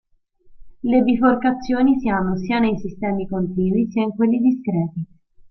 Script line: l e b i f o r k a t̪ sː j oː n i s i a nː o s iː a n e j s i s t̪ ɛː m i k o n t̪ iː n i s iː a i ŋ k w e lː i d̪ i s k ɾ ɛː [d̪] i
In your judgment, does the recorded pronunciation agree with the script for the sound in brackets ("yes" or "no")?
no